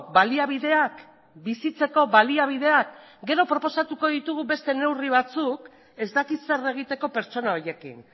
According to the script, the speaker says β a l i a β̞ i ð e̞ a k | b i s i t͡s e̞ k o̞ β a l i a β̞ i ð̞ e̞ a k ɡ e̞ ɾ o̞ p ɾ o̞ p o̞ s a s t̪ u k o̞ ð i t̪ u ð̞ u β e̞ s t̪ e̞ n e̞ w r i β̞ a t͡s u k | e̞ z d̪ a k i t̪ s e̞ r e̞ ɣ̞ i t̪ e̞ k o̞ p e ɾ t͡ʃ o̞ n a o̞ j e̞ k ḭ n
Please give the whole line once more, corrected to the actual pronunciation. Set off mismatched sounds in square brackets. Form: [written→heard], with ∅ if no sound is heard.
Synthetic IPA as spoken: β a l i a β̞ i ð e̞ a k | b i s i t͡s e̞ k o̞ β a l i a β̞ i ð̞ e̞ a k ɡ e̞ ɾ o̞ p ɾ o̞ p o̞ s a [s→∅] t̪ u k o̞ ð i t̪ u [ð̞→ɣ̞] u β e̞ s t̪ e̞ n e̞ w r i β̞ a t͡s u k | e̞ z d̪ a k i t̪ s e̞ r e̞ ɣ̞ i t̪ e̞ k o̞ p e ɾ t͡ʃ o̞ n a o̞ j e̞ k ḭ n

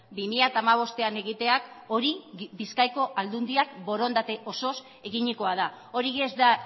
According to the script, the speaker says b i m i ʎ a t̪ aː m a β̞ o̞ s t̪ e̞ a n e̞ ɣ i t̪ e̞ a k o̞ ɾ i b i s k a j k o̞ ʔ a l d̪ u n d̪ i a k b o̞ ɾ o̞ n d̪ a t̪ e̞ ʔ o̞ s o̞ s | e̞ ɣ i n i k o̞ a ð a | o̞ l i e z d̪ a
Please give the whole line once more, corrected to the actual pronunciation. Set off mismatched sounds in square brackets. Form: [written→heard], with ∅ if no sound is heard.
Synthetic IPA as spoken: b i m i ʎ a t̪ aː m a β̞ o̞ s t̪ e̞ a n e̞ ɣ i t̪ e̞ a k o̞ ɾ i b i s k a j k o̞ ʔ a l d̪ u n d̪ i a k b o̞ ɾ o̞ n d̪ a t̪ e̞ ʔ o̞ s o̞ s | e̞ ɣ i [n→ɲ] i k o̞ a ð a | o̞ [l→ɾ] i e z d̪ a

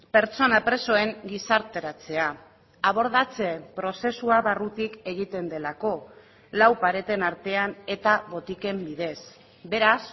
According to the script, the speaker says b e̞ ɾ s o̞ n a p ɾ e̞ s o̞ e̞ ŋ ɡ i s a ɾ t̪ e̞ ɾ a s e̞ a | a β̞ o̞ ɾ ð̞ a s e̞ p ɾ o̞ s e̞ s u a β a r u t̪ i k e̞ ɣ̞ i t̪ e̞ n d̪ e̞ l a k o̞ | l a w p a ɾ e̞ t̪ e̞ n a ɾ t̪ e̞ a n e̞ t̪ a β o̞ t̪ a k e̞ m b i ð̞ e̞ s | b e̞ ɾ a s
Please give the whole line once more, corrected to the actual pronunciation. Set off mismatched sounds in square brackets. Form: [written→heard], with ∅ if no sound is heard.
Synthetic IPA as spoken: [b→p] e̞ ɾ [s→t͡s] o̞ n a p ɾ e̞ s o̞ e̞ ŋ ɡ i s a ɾ t̪ e̞ ɾ a [s→t͡s] e̞ a | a β̞ o̞ ɾ ð̞ a [s→t͡s] e̞ p ɾ o̞ s e̞ s u a β a r u t̪ i k e̞ ɣ̞ i t̪ e̞ n d̪ e̞ l a k o̞ | l a w p a ɾ e̞ t̪ e̞ n a ɾ t̪ e̞ a n e̞ t̪ a β o̞ t̪ [a→i] k e̞ m b i ð̞ e̞ s | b e̞ ɾ a s

